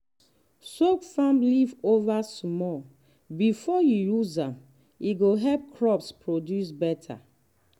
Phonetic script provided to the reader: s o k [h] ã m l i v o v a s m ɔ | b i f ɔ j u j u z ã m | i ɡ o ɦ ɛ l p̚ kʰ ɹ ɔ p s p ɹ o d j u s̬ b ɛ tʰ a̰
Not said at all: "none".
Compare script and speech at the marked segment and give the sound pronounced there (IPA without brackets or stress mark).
f